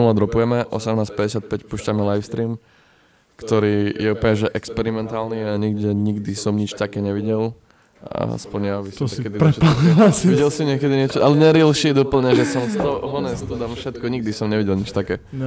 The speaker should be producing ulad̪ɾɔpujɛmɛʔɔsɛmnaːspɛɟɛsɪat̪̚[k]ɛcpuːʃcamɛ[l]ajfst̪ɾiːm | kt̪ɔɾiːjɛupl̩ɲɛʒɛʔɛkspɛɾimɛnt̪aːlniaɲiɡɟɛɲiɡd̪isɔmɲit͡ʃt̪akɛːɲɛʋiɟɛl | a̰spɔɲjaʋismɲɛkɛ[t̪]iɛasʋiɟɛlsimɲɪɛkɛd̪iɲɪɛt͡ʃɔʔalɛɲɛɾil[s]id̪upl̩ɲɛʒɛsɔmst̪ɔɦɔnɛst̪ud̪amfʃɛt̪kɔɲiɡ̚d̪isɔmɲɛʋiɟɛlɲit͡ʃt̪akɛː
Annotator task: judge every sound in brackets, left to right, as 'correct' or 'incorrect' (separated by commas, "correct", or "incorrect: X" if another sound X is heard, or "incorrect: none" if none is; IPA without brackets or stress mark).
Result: incorrect: p, correct, incorrect: d̪, incorrect: ʃ